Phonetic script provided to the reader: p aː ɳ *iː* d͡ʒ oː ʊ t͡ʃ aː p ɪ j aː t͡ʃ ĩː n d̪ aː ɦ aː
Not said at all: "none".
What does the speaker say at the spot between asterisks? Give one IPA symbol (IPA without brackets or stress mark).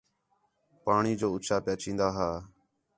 iː